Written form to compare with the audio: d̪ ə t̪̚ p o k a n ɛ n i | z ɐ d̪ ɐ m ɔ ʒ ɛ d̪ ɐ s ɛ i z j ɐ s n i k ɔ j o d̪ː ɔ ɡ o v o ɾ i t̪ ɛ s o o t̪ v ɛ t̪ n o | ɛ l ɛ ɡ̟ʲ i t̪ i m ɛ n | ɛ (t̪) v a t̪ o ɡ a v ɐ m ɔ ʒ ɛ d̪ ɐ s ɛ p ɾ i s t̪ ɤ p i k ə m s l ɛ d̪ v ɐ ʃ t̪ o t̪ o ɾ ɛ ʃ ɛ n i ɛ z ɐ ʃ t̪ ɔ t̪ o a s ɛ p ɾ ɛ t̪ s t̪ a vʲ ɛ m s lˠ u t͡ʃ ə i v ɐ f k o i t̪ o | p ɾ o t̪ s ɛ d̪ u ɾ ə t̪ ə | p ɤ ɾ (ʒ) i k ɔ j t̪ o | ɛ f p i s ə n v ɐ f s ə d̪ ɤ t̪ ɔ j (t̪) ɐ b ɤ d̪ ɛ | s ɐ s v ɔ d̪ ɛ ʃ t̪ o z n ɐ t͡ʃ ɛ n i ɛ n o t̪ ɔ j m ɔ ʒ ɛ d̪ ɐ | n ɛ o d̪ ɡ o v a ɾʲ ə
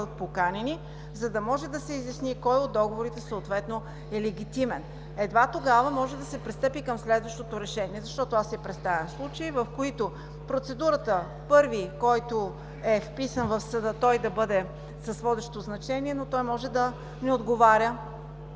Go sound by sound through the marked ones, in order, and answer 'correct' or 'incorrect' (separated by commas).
incorrect, incorrect, incorrect